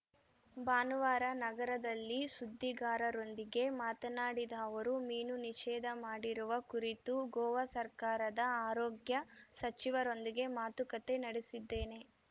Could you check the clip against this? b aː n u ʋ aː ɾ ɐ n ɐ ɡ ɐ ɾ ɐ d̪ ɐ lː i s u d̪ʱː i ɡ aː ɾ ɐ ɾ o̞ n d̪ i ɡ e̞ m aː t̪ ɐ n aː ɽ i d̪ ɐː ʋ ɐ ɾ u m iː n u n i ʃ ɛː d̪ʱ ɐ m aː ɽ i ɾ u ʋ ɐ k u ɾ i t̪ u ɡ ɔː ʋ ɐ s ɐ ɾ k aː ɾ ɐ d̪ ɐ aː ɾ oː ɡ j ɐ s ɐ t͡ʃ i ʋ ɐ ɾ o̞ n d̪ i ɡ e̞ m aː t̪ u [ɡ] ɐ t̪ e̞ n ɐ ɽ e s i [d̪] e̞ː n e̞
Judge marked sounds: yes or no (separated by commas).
no, no